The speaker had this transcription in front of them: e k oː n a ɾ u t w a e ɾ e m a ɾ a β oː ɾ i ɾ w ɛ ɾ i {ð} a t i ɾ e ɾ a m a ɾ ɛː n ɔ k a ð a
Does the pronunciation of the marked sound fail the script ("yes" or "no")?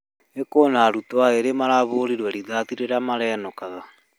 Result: no